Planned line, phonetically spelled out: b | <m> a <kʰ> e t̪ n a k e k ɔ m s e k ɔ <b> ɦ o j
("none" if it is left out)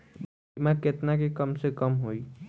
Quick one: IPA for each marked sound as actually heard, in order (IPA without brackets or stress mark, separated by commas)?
m, k, m